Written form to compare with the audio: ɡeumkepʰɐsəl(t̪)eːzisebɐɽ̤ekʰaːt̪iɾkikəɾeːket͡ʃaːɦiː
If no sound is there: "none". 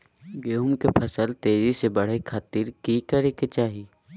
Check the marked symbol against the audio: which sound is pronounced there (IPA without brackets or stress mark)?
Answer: t̪